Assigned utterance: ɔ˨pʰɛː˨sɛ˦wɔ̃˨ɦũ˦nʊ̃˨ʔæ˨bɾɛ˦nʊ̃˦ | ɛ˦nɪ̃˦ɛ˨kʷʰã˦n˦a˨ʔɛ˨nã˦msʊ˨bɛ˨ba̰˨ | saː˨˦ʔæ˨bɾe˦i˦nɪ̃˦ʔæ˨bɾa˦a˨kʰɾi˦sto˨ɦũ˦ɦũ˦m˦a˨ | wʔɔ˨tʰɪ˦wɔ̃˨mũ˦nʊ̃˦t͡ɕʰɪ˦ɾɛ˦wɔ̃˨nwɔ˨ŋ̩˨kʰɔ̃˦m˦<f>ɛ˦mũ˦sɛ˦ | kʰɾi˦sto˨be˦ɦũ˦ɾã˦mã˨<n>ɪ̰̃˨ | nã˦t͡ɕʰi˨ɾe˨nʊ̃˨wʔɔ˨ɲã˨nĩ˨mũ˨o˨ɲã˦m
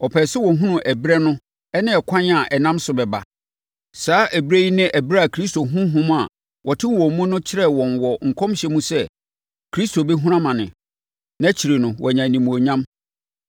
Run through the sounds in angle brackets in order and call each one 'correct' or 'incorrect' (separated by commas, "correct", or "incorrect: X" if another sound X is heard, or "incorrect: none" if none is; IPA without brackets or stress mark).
incorrect: ɕ, correct